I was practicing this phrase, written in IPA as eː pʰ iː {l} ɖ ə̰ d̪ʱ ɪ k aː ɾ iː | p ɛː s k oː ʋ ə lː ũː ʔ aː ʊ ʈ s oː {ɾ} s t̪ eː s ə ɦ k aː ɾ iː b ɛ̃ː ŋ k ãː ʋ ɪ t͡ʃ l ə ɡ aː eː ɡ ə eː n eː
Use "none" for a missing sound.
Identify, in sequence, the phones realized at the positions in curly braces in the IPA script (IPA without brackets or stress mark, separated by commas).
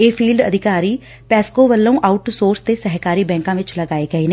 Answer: l, ɾ